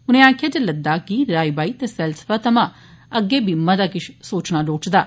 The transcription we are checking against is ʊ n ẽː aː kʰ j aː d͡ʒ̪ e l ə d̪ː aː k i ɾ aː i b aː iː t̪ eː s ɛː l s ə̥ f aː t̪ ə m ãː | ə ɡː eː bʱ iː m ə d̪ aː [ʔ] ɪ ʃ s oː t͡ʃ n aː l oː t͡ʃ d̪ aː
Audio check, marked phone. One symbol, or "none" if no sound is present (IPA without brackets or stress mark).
k